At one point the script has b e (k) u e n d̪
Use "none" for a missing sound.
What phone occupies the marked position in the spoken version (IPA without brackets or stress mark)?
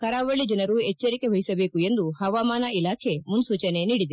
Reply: k